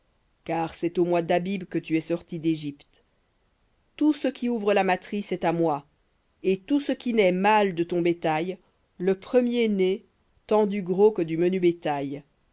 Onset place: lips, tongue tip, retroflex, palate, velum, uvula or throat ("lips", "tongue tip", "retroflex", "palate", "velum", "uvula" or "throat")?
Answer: velum